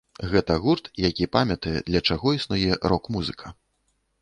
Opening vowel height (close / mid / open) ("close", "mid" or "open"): mid